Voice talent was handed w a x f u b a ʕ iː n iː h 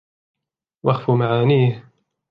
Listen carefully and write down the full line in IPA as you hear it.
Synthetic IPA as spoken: w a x f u m a ʕ aː n iː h